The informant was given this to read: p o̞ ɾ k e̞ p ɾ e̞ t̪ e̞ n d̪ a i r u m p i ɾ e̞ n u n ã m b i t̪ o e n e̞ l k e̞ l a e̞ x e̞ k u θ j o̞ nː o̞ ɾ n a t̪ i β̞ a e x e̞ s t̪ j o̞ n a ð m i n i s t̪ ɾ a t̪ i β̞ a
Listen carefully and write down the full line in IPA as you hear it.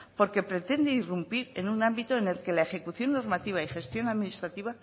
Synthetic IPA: p o̞ ɾ k e̞ p ɾ e̞ t̪ e̞ n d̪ e i r u m p i ɾ e̞ n u n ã m b i t̪ o e n e̞ l k e̞ l a e̞ x e̞ k u θ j o̞ nː o̞ ɾ m a t̪ i β̞ a i x e̞ s t̪ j o̞ n a ð m i n i s t̪ ɾ a t̪ i β̞ a

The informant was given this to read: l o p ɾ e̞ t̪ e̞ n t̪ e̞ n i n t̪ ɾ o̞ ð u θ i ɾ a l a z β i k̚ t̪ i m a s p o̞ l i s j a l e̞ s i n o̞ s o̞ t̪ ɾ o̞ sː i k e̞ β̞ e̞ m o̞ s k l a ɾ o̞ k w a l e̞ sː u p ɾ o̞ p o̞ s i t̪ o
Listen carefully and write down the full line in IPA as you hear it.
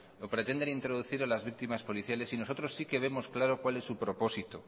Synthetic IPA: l o p ɾ e̞ t̪ e̞ n d̪ e̞ n i n t̪ ɾ o̞ ð u θ i ɾ a l a z β i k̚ t̪ i m a s p o̞ l i θ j a l e̞ s i n o̞ s o̞ t̪ ɾ o̞ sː i k e̞ β̞ e̞ m o̞ s k l a ɾ o̞ k w a l e̞ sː u p ɾ o̞ p o̞ s i t̪ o

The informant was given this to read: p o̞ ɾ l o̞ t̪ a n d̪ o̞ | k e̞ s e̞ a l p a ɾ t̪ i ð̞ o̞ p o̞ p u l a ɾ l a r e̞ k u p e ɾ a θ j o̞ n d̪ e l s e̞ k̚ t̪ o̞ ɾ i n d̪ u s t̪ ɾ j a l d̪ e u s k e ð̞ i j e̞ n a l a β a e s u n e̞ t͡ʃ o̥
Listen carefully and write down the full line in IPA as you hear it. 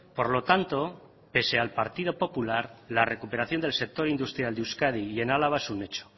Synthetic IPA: p o̞ ɾ l o̞ t̪ a n t̪ o̞ | p e̞ s e̞ a l p a ɾ t̪ i ð̞ o̞ p o̞ p u l a ɾ l a r e̞ k u p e ɾ a θ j o̞ n d̪ e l s e̞ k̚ t̪ o̞ ɾ i n d̪ u s t̪ ɾ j a l d̪ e u s k a ð̞ i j e̞ n a l a β a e s u n e̞ t͡ʃ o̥

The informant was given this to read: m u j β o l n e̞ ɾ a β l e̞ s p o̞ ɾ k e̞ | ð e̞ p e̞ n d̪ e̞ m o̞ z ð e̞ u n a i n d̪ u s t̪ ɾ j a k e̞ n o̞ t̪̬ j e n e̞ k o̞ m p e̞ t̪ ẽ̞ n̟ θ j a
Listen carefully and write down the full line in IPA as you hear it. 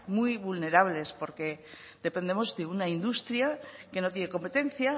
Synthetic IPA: m u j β u l n e̞ ɾ a β l e̞ s p o̞ ɾ k e̞ | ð e̞ p e̞ n d̪ e̞ m o̞ z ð e̞ u n a i n d̪ u s t̪ ɾ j a k e̞ n o̞ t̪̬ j e n e̞ k o̞ m p e̞ t̪ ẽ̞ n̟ θ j a

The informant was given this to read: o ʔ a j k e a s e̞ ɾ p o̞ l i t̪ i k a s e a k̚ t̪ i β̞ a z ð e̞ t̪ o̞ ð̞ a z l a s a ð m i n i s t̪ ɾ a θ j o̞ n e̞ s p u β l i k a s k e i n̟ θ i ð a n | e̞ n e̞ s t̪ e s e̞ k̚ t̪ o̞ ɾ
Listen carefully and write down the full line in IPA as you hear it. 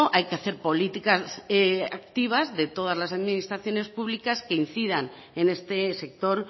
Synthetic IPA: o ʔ a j k e a θ e̞ ɾ p o̞ l i t̪ i k a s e a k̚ t̪ i β̞ a z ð e̞ t̪ o̞ ð̞ a z l a s a ð m i n i s t̪ ɾ a θ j o̞ n e̞ s p u β l i k a s k e i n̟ θ i ð a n | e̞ n e̞ s t̪ e s e̞ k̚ t̪ o̞ ɾ

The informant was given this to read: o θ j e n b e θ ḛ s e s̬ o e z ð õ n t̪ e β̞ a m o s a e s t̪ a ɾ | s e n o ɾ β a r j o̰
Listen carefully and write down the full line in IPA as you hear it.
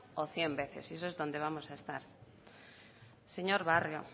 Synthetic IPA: o θ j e m b e θ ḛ s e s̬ o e z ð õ n d̪ e β̞ a m o s a e s t̪ a ɾ | s e ɲ o ɾ β a r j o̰

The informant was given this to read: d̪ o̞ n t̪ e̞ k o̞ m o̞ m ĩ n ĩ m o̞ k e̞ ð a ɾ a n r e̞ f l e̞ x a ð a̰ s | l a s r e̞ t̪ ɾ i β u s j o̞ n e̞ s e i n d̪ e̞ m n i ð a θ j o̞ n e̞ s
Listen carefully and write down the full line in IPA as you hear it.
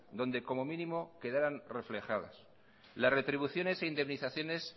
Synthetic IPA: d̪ o̞ n d̪ e̞ k o̞ m o̞ m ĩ n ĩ m o̞ k e̞ ð a ɾ a n r e̞ f l e̞ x a ð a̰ s | l a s r e̞ t̪ ɾ i β u θ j o̞ n e̞ s e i n d̪ e̞ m n i θ a θ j o̞ n e̞ s

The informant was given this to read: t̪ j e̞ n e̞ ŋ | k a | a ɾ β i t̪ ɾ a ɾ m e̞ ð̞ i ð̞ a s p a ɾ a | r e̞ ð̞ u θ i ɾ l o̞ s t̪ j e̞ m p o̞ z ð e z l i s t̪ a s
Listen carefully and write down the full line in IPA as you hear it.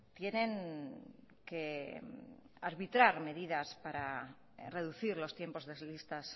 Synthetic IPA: t̪ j e̞ n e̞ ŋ | k e | a ɾ β i t̪ ɾ a ɾ m e̞ ð̞ i ð̞ a s p a ɾ a | r e̞ ð̞ u θ i ɾ l o̞ s t̪ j e̞ m p o̞ z ð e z l i s t̪ a s

